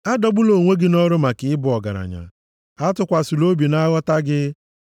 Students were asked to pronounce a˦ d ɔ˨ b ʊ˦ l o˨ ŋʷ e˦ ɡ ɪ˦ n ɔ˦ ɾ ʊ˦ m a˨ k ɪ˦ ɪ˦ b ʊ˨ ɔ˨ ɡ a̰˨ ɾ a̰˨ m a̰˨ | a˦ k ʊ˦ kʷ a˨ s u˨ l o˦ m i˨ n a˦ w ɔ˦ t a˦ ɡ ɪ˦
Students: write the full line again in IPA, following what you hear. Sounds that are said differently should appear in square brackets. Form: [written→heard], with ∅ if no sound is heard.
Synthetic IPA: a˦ d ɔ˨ b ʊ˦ l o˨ ŋʷ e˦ ɡ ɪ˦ n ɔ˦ ɾ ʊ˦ m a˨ k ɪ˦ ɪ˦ b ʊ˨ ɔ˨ ɡ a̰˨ ɾ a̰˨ [m→ɲ] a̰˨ | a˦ [k→t] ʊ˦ kʷ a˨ s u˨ l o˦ [m→b] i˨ n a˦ [w→ɣ] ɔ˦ t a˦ ɡ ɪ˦